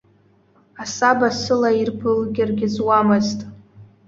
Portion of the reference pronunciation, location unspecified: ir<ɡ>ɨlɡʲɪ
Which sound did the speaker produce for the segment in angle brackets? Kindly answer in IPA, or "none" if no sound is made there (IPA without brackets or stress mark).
b